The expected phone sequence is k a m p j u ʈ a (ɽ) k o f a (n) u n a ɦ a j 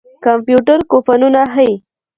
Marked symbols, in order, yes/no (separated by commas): no, yes